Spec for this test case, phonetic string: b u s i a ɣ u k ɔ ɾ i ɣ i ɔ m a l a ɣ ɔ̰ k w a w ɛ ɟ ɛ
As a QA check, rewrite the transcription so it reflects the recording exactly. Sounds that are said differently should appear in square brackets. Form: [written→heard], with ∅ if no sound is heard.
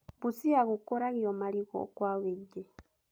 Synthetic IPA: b u s i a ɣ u k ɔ ɾ [i→a] ɣ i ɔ m a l [a→i] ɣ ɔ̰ k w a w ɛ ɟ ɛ